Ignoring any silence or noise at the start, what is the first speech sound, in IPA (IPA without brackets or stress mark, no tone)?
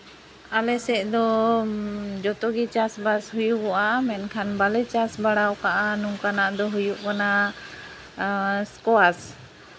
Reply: a